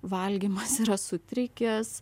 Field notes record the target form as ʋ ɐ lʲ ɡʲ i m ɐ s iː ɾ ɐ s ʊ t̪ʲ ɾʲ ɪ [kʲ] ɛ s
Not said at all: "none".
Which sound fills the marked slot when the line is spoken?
kʲ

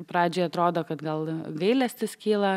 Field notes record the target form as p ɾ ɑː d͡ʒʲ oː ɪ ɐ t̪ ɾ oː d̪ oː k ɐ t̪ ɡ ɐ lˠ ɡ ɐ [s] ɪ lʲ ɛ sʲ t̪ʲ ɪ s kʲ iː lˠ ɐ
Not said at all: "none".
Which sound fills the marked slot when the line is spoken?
none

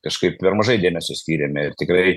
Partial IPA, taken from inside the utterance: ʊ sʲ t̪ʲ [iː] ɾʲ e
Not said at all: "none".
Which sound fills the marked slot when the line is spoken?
iː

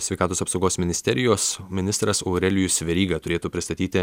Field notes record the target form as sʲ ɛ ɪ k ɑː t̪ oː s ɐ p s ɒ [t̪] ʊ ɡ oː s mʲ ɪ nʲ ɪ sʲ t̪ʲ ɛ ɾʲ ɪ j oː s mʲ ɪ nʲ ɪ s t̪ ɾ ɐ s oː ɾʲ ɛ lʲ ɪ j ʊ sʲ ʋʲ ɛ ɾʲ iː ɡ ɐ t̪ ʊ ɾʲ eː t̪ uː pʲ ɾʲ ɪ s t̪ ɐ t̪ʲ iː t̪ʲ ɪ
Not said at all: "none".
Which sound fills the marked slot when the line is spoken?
none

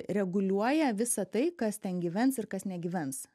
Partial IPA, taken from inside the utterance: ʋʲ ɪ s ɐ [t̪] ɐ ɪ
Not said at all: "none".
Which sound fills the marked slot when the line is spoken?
t̪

